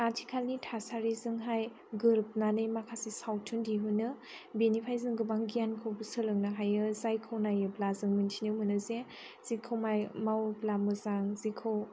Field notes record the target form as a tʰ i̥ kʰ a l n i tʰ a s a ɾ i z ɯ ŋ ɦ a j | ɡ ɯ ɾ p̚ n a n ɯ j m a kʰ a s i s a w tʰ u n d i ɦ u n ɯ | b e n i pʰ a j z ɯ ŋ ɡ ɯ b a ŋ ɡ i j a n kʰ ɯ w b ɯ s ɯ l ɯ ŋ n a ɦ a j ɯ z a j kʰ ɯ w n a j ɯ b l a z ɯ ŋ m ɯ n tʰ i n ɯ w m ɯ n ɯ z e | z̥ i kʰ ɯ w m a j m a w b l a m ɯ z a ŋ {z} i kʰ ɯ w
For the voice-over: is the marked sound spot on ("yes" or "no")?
yes